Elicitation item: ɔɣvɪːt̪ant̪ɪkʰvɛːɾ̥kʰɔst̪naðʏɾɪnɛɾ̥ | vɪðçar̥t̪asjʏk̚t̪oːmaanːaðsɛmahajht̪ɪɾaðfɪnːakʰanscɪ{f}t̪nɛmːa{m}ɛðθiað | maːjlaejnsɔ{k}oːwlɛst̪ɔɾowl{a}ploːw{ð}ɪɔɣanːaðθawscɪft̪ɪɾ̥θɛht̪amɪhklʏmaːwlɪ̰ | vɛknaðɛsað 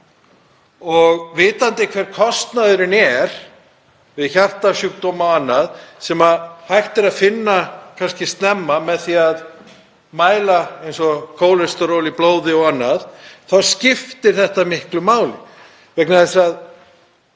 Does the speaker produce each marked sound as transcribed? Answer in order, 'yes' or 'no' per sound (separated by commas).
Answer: no, yes, no, no, yes